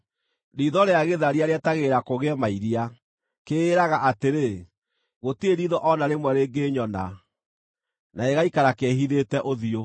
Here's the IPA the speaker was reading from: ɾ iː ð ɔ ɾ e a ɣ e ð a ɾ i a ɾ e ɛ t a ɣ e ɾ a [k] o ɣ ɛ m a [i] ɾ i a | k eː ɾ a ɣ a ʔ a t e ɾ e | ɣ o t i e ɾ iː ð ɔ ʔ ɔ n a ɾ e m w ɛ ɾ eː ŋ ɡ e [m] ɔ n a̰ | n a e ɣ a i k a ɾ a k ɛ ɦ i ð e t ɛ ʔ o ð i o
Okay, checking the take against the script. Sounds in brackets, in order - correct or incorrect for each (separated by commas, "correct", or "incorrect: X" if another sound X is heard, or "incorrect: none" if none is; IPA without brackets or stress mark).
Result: correct, correct, incorrect: ɲ